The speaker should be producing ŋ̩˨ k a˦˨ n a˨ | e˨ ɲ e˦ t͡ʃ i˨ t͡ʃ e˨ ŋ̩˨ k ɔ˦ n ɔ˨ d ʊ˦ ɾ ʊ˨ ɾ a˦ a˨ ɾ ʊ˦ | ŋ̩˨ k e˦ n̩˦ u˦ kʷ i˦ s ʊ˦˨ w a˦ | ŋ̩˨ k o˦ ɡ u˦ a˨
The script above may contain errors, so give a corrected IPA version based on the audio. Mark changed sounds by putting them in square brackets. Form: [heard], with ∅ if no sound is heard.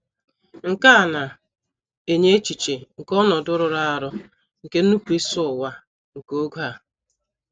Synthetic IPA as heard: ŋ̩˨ k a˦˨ n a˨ | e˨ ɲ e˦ t͡ʃ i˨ t͡ʃ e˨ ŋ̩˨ k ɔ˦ n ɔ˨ d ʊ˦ ɾ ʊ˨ ɾ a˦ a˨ ɾ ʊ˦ | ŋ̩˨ k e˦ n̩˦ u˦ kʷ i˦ s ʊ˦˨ w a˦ | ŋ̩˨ k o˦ ɡ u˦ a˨